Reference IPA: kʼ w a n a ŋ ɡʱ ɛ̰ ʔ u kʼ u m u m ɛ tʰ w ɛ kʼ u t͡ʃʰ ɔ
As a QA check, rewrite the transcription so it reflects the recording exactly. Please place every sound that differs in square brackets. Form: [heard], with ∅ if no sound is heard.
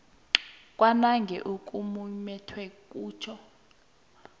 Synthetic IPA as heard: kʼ w a n a ŋ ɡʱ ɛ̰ ʔ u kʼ u m u m ɛ tʰ w ɛ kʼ [uː] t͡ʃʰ ɔ

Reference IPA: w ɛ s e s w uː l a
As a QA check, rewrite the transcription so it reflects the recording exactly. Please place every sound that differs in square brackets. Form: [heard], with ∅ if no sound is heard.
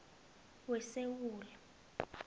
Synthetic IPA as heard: w ɛ s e [∅] w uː l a

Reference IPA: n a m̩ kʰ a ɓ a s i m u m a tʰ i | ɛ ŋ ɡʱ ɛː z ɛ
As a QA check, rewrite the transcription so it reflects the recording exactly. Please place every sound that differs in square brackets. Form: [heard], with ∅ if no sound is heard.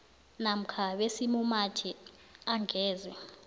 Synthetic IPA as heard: n a m̩ kʰ a ɓ [e] s i m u m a tʰ i | [a] ŋ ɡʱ ɛː z ɛ

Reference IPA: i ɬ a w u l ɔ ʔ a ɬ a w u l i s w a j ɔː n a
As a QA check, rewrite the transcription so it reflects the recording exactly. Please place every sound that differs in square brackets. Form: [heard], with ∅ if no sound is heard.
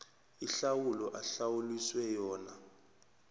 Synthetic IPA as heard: i ɬ a w u l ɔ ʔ a ɬ a w u l i s w [ɛ] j ɔː n a

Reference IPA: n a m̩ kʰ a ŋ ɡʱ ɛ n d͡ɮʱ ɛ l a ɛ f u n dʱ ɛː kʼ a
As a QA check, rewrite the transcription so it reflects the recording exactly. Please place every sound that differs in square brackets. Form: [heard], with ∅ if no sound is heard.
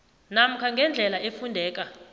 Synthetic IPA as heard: n a m̩ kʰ a ŋ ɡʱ ɛ n d͡ɮʱ ɛ l a [e] f u n dʱ ɛː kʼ a

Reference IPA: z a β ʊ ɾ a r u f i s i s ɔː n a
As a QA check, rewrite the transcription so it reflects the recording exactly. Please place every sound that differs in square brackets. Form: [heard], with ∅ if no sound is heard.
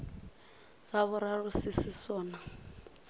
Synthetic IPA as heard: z a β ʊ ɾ a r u [s] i s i s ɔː n a

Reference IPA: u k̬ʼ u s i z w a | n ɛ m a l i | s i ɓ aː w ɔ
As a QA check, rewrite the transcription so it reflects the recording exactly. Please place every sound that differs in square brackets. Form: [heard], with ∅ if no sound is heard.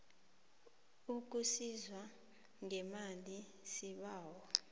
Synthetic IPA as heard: u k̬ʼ u s i z w a | [ŋ] ɛ m a l i | s i ɓ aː w ɔ

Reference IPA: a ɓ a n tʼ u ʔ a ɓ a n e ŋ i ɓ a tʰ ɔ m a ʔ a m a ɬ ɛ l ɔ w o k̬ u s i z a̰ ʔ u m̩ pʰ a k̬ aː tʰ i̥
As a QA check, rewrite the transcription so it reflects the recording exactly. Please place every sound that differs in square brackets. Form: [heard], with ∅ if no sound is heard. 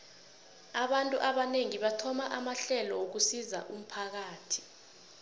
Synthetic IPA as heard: a ɓ a n tʼ u ʔ a ɓ a n e ŋ i ɓ a tʰ ɔ m a ʔ a m a ɬ ɛ l ɔ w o k̬ u s i z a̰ ʔ u m̩ pʰ a k̬ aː tʰ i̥

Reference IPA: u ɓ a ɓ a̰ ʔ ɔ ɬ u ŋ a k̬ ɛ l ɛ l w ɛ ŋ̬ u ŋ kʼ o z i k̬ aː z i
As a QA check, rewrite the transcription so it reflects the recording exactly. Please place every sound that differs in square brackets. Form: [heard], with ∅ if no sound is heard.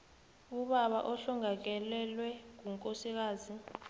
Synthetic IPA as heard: u ɓ a ɓ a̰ ʔ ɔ ɬ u ŋ a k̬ ɛ l ɛ l w ɛ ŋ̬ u ŋ kʼ o [s] i k̬ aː z i

